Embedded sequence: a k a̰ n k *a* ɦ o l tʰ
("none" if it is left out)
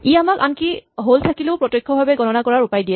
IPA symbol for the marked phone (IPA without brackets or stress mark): i